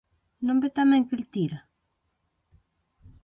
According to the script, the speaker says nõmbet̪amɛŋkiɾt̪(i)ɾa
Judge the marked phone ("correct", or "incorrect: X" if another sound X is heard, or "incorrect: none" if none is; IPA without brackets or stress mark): correct